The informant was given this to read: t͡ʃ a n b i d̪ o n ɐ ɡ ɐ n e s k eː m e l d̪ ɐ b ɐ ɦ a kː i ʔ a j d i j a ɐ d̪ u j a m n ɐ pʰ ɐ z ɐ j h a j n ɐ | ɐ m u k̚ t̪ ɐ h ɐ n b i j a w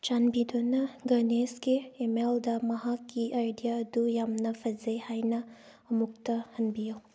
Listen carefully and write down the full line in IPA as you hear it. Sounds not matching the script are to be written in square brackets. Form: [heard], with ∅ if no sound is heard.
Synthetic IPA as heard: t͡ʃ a n b i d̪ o n ɐ ɡ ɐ n e s k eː m e l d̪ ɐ [m] ɐ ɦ a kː i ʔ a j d i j a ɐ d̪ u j a m n ɐ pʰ ɐ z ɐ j h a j n ɐ | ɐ m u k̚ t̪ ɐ h ɐ n b i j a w